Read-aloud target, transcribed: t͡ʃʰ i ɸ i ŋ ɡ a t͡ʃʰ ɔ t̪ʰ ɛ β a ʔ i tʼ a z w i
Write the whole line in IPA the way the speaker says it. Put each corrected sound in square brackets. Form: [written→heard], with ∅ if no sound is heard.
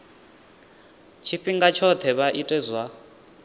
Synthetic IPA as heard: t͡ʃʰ i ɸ i ŋ ɡ a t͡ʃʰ ɔ t̪ʰ ɛ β a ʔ i tʼ [a→ɛ] z w [i→a]

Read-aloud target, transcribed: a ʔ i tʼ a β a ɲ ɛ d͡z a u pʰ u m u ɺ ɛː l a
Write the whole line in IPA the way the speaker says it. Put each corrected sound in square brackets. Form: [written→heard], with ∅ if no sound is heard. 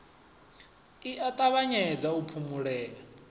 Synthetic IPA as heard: [a→i] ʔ [i→a] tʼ a β a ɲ ɛ d͡z a u pʰ u m u ɺ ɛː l a

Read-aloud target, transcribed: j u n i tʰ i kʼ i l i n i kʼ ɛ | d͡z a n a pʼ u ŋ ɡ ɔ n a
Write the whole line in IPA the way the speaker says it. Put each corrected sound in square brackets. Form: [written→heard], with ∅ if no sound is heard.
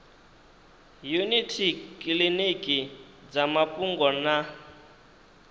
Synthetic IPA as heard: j u n i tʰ i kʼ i l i n i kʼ [ɛ→i] | d͡z a [n→m] a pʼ u ŋ ɡ ɔ n a

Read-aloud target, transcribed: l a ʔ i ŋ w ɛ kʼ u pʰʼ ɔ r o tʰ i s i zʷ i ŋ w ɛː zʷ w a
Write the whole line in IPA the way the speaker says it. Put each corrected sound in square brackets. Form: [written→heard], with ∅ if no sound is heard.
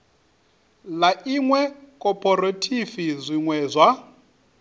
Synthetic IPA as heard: l a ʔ i ŋ w ɛ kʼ [u→ɔ] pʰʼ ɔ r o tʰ i [s→f] i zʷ i ŋ w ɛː zʷ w a

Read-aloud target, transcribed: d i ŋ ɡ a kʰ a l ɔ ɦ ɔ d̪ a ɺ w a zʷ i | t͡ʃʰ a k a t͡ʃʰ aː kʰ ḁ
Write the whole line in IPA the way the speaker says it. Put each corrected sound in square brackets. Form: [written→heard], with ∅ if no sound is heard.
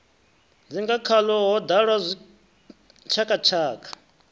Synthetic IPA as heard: [d→d͡z] i ŋ ɡ a kʰ a l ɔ ɦ ɔ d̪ a ɺ w a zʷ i | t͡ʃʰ a k a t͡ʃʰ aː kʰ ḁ

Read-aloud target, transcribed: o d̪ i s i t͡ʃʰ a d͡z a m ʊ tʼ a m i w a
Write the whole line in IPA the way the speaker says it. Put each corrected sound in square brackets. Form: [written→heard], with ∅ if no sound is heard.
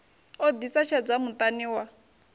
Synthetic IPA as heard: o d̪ i s [i→a] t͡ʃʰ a d͡z a m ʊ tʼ a [m→n] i w a

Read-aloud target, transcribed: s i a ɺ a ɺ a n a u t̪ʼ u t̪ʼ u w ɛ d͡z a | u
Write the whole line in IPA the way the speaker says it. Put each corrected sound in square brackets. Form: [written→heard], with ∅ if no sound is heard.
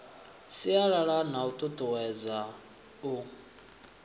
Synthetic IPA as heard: s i a ɺ a ɺ a n a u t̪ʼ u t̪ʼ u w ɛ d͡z a | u

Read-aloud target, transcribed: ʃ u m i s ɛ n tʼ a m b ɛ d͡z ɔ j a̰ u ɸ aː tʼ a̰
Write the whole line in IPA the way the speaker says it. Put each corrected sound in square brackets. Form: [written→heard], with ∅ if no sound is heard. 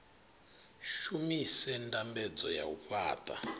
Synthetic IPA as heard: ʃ u m i s ɛ n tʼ a m b ɛ d͡z ɔ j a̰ u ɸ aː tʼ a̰

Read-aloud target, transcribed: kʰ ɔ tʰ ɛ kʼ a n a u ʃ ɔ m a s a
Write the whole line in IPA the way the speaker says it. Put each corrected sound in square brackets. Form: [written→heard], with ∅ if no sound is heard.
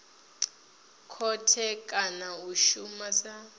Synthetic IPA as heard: kʰ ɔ tʰ ɛ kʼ a n a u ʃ [ɔ→u] m a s a

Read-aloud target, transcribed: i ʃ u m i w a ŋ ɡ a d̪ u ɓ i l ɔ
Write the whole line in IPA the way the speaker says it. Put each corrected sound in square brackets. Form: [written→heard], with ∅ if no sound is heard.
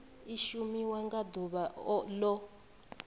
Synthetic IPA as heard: i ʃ u m i w a ŋ ɡ a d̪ u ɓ [i→a] l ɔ

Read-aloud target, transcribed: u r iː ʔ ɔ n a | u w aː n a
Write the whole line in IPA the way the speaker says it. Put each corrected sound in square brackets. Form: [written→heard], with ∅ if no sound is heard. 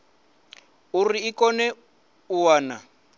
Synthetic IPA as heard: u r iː [ʔ→k] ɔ n [a→ɛ] | u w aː n a

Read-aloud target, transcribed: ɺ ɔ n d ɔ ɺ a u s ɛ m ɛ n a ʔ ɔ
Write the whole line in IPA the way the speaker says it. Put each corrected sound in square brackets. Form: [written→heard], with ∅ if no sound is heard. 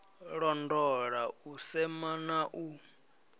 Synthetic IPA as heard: ɺ ɔ n d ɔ ɺ a u s ɛ m [ɛ→a] n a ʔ [ɔ→u]

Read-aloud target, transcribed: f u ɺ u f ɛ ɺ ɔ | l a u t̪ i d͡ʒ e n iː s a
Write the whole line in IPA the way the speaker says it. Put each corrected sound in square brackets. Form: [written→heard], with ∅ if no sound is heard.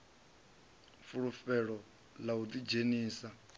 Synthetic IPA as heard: f u ɺ u f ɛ ɺ ɔ | l a u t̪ i d͡ʒ e n iː s a

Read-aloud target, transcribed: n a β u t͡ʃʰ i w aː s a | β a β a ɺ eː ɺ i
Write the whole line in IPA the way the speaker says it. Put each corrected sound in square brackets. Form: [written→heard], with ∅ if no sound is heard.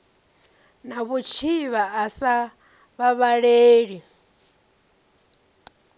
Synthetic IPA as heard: n a β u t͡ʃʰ i [w→β] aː s a | β a β a ɺ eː ɺ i

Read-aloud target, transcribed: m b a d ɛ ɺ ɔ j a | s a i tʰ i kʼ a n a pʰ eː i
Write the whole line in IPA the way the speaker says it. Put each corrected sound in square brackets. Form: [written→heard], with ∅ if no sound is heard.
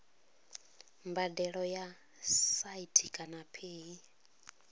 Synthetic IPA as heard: m b a d ɛ ɺ ɔ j a | s a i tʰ i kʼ a n a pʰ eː i

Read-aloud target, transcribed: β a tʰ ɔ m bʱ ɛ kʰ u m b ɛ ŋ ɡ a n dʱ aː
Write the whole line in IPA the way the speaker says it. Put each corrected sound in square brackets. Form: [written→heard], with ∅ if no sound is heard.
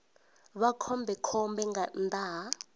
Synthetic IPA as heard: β a [tʰ→kʰ] ɔ m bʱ ɛ kʰ [u→ɔ] m b ɛ ŋ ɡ a n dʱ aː

